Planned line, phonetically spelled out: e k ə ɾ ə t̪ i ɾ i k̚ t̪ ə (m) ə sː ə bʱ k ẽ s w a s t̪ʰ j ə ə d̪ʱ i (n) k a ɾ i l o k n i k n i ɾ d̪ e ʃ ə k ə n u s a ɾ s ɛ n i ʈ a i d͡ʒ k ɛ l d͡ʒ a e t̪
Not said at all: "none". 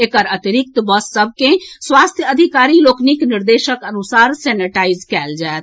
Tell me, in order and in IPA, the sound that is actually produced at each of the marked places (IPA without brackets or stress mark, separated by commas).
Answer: b, none